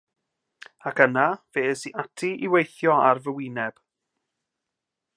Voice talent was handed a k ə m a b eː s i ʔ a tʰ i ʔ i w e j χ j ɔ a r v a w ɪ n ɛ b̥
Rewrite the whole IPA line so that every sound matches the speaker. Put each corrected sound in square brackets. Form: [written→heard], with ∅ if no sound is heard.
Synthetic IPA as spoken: a k ə [m→n] a [b→v] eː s i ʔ a tʰ i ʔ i w e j [χ→θ] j ɔ a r v [a→ə] w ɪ n ɛ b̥